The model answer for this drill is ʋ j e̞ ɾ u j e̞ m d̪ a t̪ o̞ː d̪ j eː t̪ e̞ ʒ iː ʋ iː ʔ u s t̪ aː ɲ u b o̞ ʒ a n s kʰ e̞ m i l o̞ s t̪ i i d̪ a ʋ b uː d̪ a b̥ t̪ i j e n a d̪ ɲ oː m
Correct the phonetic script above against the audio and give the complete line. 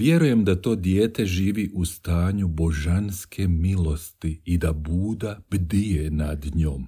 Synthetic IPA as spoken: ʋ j e̞ ɾ u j e̞ m d̪ a t̪ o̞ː d̪ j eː t̪ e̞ ʒ iː ʋ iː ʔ u s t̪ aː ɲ u b o̞ ʒ a n s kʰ e̞ m i l o̞ s t̪ i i d̪ a b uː d̪ a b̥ d̪ i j e n a d̪ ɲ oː m